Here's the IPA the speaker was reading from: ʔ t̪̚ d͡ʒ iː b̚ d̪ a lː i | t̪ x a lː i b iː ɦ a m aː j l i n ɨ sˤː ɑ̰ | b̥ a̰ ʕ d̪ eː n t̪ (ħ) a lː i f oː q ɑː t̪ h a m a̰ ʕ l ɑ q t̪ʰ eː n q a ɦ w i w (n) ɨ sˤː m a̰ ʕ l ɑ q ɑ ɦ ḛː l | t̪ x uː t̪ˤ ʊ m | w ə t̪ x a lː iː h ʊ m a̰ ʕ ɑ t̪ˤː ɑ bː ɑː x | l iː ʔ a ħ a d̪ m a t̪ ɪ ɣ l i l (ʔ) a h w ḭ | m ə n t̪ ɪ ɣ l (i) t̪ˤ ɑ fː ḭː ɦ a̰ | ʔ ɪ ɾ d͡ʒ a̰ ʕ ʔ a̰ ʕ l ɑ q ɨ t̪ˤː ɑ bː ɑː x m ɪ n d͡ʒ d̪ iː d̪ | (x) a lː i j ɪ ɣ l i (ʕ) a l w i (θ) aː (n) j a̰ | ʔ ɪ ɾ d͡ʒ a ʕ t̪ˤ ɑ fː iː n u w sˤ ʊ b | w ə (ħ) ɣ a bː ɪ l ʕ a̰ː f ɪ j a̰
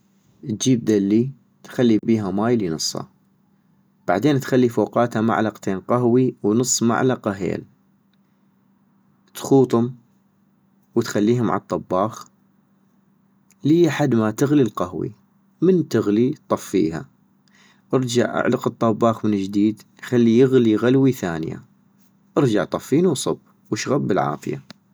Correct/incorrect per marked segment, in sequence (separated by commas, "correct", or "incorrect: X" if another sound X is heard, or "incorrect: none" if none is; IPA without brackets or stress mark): incorrect: x, correct, incorrect: q, correct, correct, incorrect: ɣ, correct, correct, incorrect: ʃ